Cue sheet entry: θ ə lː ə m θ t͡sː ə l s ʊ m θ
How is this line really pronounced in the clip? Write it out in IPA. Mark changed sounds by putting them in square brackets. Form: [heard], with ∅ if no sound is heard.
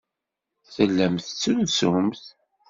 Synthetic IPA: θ ə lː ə m θ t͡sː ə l s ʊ m θ